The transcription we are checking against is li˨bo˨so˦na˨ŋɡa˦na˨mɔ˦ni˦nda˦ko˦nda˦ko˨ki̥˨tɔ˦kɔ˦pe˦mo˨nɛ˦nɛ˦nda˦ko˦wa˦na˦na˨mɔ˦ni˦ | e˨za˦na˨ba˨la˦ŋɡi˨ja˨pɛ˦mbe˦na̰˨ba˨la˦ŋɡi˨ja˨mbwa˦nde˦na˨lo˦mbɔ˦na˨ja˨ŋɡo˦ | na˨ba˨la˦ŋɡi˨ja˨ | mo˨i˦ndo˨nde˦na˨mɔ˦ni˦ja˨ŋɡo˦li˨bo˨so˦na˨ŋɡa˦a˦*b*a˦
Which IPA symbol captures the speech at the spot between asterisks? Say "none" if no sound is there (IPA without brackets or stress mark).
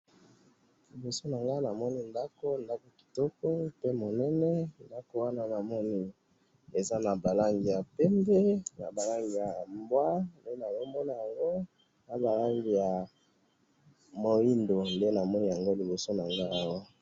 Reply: w